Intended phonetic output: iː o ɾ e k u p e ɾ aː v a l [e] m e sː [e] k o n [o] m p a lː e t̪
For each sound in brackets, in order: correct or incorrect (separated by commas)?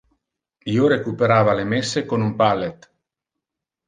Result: correct, correct, incorrect